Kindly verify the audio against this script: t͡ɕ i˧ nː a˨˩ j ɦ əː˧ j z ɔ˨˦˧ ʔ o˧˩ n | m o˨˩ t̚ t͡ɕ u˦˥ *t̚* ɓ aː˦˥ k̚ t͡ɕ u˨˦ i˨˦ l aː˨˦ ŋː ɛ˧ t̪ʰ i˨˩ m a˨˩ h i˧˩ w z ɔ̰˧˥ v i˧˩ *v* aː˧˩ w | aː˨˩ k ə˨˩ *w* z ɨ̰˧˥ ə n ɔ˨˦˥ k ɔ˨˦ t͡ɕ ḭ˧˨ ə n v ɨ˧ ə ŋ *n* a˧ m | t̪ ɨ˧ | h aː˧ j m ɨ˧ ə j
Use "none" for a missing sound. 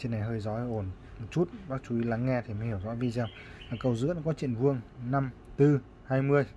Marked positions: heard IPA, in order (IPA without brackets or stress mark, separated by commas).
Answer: t̚, z, w, n